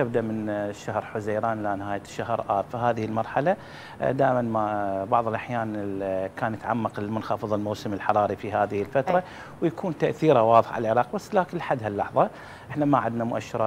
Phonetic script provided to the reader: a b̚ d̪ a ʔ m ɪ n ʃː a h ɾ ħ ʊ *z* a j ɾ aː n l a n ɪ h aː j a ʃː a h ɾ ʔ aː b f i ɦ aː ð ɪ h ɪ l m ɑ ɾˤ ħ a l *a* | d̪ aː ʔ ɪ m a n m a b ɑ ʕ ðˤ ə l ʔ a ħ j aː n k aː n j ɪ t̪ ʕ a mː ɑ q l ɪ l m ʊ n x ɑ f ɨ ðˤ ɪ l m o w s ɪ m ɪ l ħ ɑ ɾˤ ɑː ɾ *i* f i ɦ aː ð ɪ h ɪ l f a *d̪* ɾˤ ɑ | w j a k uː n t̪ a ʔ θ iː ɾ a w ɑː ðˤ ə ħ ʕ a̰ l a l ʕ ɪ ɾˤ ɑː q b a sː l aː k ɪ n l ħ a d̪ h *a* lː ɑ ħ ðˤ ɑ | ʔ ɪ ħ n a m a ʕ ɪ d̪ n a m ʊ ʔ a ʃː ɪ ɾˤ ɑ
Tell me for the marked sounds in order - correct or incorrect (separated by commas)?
correct, correct, correct, incorrect, correct